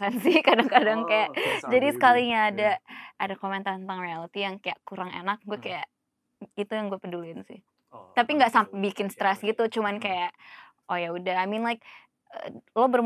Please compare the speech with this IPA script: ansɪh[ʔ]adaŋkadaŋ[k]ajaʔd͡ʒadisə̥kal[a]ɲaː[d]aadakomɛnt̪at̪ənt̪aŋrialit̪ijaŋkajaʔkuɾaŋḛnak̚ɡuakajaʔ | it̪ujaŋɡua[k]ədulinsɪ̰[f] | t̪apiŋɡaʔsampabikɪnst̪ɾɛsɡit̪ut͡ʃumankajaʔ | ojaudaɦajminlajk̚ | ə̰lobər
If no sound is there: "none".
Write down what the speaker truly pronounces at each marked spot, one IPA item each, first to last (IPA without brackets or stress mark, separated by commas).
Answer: k, k, i, d, p, h